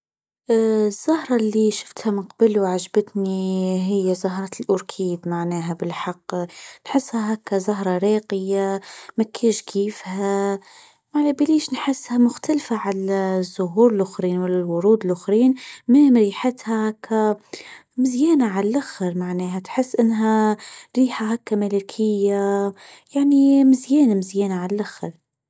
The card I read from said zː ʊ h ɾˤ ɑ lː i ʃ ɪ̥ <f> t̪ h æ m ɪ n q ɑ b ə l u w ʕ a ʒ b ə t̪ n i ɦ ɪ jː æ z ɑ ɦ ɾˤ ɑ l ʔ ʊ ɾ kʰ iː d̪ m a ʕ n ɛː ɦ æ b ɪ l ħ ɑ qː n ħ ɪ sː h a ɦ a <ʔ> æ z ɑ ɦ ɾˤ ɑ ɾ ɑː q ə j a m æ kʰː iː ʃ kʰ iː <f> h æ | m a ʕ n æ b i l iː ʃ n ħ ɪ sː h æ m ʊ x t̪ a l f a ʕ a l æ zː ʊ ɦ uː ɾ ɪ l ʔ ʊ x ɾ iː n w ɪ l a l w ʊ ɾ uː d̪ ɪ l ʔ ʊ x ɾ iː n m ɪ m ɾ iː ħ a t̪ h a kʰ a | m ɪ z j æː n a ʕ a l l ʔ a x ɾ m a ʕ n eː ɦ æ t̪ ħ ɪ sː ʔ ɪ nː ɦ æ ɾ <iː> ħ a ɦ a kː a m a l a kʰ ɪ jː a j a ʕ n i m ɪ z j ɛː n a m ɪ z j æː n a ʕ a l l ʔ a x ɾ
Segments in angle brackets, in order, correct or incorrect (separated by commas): correct, incorrect, correct, correct